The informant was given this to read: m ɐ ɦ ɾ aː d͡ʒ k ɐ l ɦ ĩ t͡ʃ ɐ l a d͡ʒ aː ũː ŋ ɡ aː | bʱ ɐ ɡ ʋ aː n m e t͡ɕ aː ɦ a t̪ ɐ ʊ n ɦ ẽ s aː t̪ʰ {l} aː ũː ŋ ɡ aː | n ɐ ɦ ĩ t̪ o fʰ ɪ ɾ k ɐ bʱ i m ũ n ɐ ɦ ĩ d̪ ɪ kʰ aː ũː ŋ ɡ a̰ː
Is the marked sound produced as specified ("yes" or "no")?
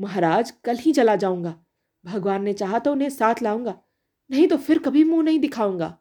yes